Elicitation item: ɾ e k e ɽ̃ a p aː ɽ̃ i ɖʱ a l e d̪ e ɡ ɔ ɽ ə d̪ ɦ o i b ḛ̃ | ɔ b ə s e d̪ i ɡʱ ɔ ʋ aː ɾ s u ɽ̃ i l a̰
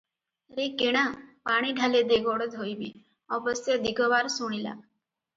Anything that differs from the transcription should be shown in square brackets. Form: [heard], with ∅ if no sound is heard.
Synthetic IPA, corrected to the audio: ɾ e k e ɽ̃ a p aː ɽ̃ i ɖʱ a l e d̪ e ɡ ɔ ɽ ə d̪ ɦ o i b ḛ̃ | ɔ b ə s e d̪ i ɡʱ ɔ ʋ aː ɾ s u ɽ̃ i l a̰